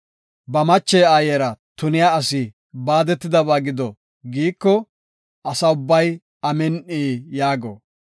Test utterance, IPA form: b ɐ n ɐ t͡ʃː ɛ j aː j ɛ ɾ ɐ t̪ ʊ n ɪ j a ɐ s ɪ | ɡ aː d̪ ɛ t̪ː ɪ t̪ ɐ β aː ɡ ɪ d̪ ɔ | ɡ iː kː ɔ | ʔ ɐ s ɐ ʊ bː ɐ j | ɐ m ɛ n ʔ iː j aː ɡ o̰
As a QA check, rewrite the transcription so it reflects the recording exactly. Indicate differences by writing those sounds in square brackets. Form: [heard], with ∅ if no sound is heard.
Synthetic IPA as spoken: b ɐ [m] ɐ t͡ʃː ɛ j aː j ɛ ɾ ɐ t̪ ʊ n ɪ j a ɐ s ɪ | [b] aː d̪ ɛ t̪ː ɪ [d̪] ɐ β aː ɡ ɪ d̪ ɔ | ɡ iː kː ɔ | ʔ ɐ s ɐ ʊ bː ɐ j | ɐ m ɛ n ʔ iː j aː ɡ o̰